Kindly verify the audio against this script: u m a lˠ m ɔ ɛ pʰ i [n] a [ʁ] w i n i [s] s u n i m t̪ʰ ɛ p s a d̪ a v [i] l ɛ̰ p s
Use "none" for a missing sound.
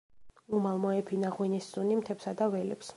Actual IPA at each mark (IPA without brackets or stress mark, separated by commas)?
n, ʁ, s, ɛ